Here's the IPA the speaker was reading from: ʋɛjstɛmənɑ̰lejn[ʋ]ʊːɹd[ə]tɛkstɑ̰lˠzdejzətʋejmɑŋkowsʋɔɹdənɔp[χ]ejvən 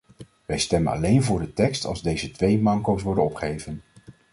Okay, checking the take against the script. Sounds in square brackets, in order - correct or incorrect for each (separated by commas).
incorrect, correct, correct